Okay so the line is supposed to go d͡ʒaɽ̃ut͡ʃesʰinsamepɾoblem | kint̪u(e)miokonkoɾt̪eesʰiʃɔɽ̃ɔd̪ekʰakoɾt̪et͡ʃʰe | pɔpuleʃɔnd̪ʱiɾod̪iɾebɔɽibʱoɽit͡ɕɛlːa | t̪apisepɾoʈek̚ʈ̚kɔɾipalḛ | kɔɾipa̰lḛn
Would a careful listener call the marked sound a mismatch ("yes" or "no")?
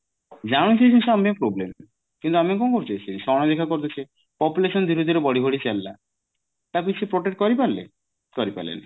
yes